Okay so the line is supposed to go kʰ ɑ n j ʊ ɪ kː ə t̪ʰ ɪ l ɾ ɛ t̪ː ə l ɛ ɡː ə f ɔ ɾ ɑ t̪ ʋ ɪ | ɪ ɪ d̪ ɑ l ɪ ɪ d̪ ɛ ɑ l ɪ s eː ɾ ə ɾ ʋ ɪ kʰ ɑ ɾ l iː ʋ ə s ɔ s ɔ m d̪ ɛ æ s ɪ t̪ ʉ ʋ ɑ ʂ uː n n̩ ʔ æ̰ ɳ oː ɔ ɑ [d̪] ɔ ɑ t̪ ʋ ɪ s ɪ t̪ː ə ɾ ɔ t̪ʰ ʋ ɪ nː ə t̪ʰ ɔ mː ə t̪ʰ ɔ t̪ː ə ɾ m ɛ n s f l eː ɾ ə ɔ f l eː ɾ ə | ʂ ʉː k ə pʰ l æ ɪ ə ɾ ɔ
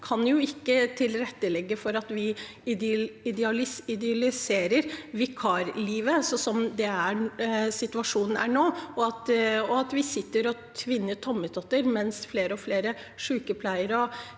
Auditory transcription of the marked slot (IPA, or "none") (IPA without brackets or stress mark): t̪